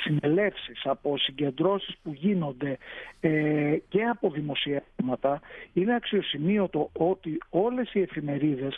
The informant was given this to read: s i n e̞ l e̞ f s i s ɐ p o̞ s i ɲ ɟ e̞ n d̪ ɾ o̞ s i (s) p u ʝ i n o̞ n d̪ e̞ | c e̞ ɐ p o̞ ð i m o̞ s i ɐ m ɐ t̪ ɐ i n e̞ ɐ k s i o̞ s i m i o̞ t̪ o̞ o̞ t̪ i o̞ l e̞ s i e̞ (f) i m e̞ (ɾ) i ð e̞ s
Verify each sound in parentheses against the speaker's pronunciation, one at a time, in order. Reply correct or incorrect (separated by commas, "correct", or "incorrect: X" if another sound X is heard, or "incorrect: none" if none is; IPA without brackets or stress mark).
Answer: correct, correct, correct